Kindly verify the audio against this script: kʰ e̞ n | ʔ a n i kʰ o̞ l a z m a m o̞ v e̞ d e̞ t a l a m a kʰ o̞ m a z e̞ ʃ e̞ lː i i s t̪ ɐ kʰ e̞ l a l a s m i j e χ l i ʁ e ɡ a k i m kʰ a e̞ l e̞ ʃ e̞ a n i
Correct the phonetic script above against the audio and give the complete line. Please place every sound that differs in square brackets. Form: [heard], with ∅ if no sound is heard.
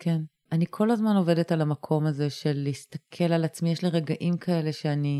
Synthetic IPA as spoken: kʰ e̞ n | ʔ a n i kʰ o̞ l a z m a [n] o̞ v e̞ d e̞ t a l a m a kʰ o̞ m a z e̞ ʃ e̞ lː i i s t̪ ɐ kʰ e̞ l a l a [t͡s] m i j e [ʃ] l i ʁ e ɡ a [ʔ] i m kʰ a e̞ l e̞ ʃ e̞ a n i